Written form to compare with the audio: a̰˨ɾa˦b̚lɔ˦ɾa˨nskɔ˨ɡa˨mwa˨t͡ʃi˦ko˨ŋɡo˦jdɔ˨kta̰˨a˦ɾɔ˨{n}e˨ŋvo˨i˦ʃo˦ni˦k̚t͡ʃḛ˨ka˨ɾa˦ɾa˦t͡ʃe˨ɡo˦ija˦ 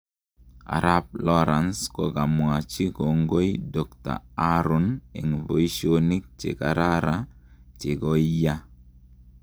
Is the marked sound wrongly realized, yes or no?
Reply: no